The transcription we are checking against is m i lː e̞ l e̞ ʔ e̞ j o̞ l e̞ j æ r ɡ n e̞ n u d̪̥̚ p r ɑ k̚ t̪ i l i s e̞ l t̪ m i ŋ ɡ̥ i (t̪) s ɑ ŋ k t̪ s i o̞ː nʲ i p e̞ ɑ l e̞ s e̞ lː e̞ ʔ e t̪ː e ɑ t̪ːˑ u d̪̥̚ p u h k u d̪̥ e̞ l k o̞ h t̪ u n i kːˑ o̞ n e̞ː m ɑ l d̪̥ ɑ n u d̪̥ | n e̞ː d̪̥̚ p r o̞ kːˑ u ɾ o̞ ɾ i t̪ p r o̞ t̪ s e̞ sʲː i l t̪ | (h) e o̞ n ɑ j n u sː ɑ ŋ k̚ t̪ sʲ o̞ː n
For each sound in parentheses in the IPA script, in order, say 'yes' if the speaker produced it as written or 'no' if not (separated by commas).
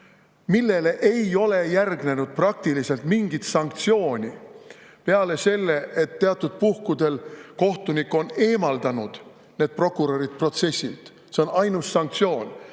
yes, no